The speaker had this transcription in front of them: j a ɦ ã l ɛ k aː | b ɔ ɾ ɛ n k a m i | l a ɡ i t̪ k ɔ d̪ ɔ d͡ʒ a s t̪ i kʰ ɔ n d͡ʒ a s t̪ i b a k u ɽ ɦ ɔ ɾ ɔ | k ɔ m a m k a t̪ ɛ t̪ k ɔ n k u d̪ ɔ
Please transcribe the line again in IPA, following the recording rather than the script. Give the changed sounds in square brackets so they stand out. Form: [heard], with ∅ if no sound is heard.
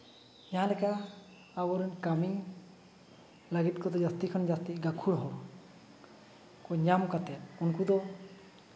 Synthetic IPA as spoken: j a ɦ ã l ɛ k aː | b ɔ ɾ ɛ n k a m i | l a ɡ i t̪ k ɔ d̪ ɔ d͡ʒ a s t̪ i kʰ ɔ n d͡ʒ a s t̪ i [ɡ] a [kʰ] u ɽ ɦ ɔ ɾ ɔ | k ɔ [ɲ] a m k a t̪ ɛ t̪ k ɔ n k u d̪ ɔ